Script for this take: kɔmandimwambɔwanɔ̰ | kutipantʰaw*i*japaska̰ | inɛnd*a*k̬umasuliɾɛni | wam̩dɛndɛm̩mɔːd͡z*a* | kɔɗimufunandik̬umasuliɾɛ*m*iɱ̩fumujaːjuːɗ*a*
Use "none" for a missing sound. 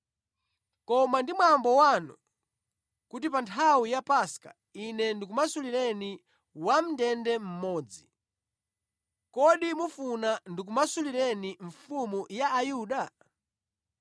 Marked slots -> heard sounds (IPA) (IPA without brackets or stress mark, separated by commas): i, i, i, n, a